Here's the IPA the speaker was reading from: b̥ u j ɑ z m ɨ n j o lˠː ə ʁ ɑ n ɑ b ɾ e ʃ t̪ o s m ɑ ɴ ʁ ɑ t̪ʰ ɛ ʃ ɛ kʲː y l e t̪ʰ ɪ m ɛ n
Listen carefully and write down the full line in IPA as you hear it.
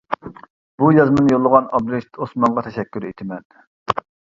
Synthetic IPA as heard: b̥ u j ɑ z m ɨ n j o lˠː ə ʁ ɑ n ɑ b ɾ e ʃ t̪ o s m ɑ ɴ ʁ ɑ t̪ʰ ɛ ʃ ɛ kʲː y ɾ e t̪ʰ ɪ m ɛ n